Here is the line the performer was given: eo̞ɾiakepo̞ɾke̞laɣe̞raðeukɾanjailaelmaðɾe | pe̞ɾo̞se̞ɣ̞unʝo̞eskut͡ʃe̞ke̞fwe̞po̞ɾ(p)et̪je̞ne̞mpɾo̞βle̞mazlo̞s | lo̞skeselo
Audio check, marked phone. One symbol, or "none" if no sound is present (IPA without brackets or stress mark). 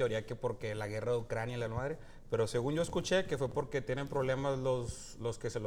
k